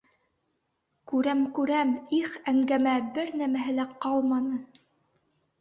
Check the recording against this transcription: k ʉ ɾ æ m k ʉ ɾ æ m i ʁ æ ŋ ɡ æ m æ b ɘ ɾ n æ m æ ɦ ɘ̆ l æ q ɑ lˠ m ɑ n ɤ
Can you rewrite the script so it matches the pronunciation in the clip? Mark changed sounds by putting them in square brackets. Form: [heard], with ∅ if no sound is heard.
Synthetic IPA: k ʉ ɾ æ m k ʉ ɾ æ m i [χ] æ ŋ ɡ æ m æ b ɘ ɾ n æ m æ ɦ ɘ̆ l æ q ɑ lˠ m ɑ n ɤ